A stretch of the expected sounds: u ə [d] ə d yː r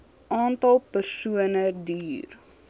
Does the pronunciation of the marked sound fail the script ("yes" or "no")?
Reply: yes